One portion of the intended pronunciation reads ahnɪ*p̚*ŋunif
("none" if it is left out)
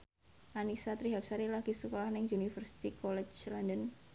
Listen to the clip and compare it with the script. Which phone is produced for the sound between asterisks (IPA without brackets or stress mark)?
none